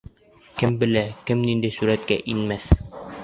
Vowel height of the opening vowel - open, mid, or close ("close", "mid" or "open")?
mid